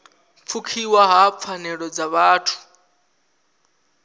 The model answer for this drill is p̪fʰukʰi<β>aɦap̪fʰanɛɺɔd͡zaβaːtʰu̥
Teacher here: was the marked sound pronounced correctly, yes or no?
no